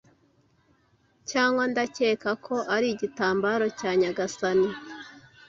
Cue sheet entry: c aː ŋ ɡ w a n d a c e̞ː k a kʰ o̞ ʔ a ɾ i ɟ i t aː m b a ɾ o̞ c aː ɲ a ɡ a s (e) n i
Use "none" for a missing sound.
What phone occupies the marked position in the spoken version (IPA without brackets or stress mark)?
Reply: a